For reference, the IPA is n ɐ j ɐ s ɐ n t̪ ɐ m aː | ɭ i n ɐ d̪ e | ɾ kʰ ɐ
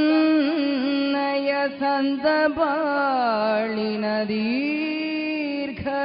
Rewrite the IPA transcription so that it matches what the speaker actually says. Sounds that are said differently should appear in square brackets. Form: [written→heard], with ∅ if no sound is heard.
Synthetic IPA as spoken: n ɐ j ɐ s ɐ n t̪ ɐ [m→b] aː | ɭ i n ɐ d̪ [e→i] | ɾ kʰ ɐ